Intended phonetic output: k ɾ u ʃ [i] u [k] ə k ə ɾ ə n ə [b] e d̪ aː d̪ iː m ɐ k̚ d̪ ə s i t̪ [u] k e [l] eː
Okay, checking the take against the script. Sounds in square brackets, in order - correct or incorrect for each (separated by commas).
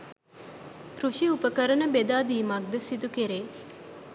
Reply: correct, incorrect, correct, correct, incorrect